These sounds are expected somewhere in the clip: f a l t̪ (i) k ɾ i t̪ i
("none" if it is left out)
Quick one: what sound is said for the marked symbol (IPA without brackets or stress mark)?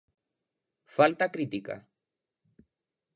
a